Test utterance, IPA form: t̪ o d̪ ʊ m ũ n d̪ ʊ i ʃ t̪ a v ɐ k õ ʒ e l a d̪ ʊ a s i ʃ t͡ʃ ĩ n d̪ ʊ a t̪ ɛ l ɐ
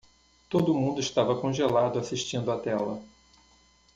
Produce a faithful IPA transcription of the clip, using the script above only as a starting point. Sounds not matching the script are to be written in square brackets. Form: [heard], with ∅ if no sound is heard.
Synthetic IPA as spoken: t̪ o d̪ ʊ m ũ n d̪ ʊ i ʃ t̪ a v ɐ k õ ʒ e l a d̪ ʊ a s i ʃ t͡ʃ ĩ n d̪ ʊ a t̪ ɛ l ɐ